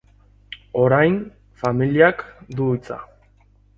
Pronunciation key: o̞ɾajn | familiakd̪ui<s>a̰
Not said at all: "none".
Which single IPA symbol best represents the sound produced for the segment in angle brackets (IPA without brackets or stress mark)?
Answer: t͡s